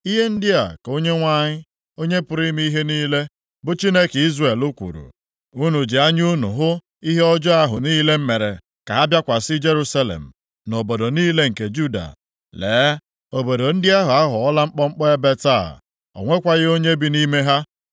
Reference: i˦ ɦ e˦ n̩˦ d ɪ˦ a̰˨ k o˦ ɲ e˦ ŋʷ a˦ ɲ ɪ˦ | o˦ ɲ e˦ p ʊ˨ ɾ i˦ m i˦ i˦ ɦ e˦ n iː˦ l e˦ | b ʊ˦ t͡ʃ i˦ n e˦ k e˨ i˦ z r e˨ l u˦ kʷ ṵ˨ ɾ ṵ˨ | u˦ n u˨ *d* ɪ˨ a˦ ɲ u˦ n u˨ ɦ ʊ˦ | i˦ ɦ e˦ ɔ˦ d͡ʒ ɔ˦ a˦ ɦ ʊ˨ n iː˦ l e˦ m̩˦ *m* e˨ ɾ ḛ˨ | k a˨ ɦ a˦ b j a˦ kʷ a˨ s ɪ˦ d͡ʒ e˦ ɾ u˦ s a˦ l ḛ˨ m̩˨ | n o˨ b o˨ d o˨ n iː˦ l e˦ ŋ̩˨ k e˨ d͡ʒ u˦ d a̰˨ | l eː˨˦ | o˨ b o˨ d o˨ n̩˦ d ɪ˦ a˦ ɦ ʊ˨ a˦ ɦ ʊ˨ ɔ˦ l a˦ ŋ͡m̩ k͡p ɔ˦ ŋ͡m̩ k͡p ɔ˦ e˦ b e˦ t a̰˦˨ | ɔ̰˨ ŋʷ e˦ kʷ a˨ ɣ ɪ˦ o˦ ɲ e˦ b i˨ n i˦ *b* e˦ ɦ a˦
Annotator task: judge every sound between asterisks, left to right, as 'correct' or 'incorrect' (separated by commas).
incorrect, correct, incorrect